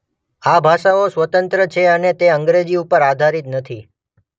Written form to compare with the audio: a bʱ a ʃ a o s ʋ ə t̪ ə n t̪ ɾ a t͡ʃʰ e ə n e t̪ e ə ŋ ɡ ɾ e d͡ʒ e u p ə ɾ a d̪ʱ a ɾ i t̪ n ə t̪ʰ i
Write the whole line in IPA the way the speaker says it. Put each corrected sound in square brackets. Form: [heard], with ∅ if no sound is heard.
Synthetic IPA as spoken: a bʱ a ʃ a o s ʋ ə t̪ ə n t̪ ɾ [ə] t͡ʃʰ e ə n e t̪ e ə ŋ ɡ ɾ e d͡ʒ [i] u p ə ɾ a d̪ʱ a ɾ i t̪ n ə t̪ʰ i